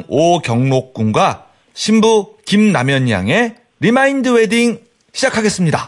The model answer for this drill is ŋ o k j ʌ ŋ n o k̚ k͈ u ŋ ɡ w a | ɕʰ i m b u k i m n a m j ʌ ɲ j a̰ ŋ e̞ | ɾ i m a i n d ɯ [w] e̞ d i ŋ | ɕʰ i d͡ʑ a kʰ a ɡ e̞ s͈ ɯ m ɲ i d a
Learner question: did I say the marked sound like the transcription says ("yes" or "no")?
yes